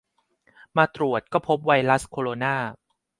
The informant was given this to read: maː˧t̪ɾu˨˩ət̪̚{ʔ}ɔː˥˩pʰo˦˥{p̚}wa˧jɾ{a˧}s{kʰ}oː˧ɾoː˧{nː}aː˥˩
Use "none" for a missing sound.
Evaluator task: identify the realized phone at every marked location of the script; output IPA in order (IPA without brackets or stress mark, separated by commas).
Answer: k, p̚, a˦˥, kʰ, n